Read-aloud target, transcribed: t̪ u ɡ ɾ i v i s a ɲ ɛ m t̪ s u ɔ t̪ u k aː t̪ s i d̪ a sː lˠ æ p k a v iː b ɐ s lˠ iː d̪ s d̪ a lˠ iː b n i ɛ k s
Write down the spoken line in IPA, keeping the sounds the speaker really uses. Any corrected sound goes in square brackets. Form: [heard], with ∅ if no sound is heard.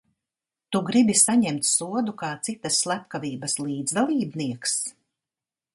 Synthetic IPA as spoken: t̪ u ɡ ɾ i [b] i s a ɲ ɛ m t̪ s u ɔ [d̪] u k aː t̪ s i [t̪] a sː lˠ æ p k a v iː b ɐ s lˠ iː d̪ [z] d̪ a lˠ iː b n i ɛ k s